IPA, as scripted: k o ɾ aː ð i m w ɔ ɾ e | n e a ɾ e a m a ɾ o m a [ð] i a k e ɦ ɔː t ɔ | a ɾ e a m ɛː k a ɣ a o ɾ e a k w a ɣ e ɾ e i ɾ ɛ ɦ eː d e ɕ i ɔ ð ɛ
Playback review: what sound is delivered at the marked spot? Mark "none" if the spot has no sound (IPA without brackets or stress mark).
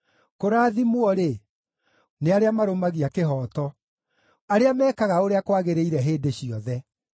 ɣ